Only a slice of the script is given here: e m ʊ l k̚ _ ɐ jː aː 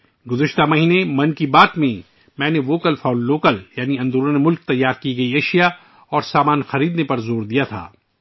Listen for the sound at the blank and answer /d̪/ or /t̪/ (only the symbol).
t̪